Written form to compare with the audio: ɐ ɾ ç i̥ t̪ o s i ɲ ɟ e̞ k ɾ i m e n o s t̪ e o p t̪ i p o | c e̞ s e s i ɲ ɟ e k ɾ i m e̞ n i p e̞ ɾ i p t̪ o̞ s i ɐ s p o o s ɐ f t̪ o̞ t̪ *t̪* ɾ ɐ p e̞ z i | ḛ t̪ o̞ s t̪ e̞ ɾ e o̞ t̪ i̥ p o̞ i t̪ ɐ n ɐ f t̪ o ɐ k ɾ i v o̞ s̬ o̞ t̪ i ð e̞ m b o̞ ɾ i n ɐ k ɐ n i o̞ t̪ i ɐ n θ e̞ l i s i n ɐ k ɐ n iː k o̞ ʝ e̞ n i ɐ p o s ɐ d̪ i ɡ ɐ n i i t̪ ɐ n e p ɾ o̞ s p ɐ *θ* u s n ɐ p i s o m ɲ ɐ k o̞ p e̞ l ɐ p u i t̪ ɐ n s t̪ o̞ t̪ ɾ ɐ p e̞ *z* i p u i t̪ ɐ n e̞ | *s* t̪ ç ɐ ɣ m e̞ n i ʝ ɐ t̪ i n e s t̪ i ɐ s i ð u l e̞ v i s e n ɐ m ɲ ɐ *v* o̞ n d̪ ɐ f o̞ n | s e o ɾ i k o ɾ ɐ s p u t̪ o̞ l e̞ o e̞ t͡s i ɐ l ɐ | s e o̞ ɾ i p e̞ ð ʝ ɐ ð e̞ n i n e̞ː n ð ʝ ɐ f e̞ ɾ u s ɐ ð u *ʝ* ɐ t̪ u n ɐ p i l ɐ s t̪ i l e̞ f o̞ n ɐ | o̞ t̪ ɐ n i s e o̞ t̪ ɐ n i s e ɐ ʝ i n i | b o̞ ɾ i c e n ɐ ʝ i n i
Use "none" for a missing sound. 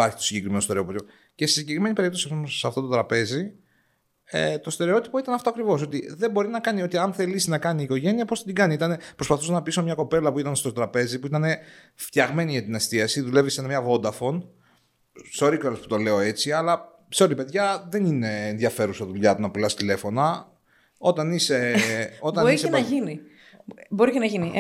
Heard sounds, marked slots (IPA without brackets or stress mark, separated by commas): t̪, θ, z, f, v, ʎ